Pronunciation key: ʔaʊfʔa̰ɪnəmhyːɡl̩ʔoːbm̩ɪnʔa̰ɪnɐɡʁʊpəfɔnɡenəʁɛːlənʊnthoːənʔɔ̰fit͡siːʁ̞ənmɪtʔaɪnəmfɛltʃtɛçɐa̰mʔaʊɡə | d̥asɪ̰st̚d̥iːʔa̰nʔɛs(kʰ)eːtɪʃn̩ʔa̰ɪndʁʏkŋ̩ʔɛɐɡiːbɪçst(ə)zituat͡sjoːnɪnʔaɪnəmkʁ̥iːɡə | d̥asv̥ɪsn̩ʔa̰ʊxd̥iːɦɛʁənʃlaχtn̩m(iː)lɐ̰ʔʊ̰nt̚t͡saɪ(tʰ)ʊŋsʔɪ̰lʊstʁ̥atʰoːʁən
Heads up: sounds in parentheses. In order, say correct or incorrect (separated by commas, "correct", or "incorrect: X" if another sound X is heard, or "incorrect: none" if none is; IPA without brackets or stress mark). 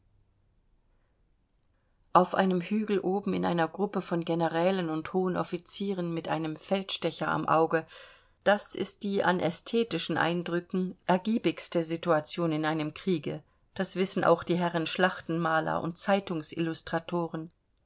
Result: incorrect: tʰ, correct, incorrect: aː, incorrect: t